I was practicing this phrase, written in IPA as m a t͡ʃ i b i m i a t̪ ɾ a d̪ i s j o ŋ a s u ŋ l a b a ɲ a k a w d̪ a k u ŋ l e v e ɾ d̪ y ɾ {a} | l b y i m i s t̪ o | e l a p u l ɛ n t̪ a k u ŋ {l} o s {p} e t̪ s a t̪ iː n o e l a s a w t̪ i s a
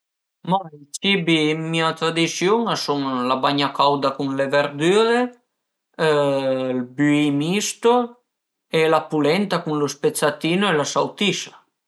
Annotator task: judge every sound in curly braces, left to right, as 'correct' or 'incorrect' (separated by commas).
incorrect, correct, correct